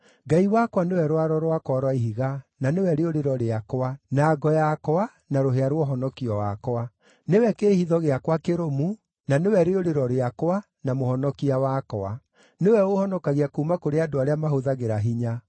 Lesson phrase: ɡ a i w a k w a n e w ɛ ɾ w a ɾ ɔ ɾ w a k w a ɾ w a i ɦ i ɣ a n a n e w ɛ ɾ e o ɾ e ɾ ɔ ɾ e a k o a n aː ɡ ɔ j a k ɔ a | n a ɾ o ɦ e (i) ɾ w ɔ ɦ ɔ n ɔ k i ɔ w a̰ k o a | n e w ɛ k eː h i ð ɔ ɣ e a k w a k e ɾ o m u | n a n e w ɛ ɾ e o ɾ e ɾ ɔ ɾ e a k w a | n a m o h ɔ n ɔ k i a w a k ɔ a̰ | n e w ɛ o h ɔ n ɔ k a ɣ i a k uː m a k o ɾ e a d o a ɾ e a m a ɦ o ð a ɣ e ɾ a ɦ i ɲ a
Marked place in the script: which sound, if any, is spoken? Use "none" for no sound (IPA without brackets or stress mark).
a